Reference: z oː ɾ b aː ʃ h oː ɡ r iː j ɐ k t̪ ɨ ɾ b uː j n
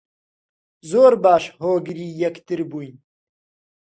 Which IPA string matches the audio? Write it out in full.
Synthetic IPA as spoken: z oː ɾ b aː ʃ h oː ɡ ɾ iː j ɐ k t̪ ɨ ɾ b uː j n